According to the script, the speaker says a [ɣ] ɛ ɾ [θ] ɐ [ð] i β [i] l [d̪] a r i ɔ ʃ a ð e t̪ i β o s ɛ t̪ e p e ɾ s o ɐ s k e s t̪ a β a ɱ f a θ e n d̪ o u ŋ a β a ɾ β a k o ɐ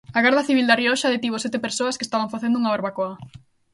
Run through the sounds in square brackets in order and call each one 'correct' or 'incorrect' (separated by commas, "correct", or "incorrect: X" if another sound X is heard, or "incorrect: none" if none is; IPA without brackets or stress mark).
correct, incorrect: ð, incorrect: θ, correct, correct